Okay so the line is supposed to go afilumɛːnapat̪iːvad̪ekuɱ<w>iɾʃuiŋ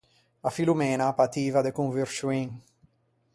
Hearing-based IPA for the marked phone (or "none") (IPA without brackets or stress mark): v